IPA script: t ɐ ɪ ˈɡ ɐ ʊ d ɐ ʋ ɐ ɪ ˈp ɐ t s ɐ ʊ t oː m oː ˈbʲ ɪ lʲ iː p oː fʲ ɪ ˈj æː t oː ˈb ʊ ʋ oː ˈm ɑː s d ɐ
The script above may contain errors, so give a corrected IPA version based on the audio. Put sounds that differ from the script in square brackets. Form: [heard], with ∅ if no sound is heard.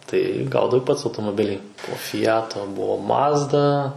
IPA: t ɐ ɪ ˈɡ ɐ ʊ d ɐ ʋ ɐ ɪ ˈp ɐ t s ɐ ʊ t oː m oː ˈbʲ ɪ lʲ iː p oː fʲ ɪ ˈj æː t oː ˈb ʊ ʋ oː ˈm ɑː [z] d ɐ